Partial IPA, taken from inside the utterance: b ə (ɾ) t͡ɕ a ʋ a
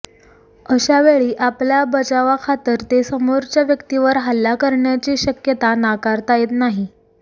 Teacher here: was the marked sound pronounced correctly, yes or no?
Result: no